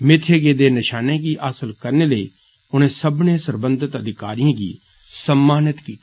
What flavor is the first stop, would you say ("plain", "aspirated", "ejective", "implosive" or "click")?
aspirated